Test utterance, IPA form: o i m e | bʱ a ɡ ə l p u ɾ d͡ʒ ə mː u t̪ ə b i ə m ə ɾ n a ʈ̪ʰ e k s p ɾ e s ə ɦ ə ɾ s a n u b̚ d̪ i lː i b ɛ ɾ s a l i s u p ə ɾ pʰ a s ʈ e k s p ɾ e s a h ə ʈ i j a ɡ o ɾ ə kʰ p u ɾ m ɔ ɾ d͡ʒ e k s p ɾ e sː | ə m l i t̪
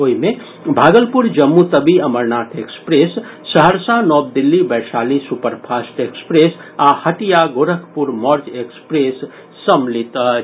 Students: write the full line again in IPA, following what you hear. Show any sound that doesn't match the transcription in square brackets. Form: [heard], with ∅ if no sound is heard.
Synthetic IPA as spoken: o i m e | bʱ a ɡ ə l p u ɾ d͡ʒ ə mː u t̪ ə b i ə m ə ɾ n a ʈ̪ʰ e k s p ɾ e [sː] ə ɦ ə ɾ s a n [ɔ] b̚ d̪ i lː i b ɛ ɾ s a l i s u p ə ɾ pʰ a s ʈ e k s p ɾ e s a h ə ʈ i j a ɡ o ɾ ə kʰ p u ɾ m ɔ ɾ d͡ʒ e k s p ɾ e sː | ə m l i t̪